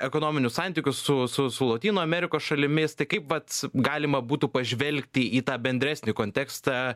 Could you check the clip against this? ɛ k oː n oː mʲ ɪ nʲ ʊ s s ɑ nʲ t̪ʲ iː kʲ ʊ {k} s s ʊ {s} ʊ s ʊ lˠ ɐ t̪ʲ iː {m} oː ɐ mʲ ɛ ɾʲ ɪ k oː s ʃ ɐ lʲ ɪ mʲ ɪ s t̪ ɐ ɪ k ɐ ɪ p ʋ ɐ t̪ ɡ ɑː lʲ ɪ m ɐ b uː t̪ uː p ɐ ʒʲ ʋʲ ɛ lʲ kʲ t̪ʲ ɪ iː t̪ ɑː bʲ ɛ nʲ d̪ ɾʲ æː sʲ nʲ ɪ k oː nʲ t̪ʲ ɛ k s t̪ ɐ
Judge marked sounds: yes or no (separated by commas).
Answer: no, yes, no